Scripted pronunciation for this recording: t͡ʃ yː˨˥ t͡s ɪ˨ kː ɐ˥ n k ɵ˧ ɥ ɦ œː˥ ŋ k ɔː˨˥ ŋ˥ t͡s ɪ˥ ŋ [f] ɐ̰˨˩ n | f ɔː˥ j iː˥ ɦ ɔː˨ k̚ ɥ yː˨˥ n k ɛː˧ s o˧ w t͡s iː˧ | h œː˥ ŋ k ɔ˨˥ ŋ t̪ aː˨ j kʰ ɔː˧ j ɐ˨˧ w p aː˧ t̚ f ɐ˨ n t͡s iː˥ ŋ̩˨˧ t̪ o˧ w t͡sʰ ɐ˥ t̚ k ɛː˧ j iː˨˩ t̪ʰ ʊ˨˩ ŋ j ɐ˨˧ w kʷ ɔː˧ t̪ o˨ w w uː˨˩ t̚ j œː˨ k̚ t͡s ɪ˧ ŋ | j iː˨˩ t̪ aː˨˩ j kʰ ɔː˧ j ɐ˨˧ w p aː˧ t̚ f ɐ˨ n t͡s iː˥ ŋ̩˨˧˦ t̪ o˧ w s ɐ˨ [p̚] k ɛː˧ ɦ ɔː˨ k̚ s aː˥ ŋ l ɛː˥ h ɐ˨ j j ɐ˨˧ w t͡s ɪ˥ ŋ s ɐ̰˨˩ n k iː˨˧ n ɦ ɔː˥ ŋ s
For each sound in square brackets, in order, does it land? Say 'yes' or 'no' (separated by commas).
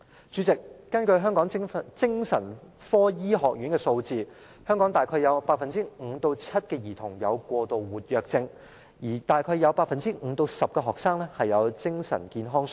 no, yes